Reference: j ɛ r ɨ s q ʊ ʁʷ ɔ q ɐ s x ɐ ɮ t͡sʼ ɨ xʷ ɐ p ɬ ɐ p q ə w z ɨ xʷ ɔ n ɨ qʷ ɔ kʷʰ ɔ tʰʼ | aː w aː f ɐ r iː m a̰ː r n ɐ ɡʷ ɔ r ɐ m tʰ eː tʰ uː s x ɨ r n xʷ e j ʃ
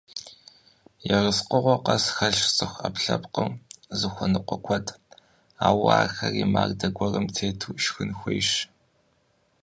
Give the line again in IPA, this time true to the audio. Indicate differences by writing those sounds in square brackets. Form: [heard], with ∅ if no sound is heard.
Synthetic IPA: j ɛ r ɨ s q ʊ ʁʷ ɔ q ɐ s x ɐ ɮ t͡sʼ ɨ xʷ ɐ p ɬ ɐ p q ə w z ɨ xʷ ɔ n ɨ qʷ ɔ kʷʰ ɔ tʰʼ | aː w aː [x] ɐ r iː m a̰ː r [d] ɐ ɡʷ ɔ r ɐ m tʰ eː tʰ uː [ʃ] x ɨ [∅] n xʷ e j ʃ